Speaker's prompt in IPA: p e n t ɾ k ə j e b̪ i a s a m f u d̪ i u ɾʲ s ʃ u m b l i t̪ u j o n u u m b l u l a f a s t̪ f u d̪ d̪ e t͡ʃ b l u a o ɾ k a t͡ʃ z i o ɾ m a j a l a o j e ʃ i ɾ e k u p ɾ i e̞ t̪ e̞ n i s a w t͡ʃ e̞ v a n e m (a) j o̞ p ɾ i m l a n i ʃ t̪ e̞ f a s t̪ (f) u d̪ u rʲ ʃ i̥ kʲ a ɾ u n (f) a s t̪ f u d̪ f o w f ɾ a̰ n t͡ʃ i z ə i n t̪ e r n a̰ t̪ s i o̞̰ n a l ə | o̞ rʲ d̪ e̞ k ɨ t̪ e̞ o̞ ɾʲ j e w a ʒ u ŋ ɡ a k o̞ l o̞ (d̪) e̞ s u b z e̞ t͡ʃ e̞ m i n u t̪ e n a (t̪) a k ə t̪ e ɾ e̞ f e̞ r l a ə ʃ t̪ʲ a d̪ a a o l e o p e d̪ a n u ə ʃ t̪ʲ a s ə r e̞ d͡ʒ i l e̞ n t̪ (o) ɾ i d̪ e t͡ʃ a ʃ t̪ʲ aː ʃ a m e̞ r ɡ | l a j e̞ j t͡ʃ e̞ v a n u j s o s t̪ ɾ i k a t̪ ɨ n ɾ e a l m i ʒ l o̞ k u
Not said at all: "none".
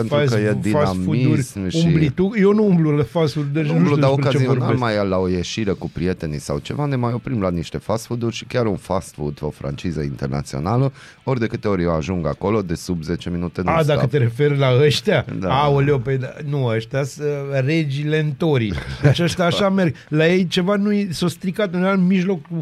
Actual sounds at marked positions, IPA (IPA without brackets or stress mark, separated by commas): a, f, f, d̪, d̪, o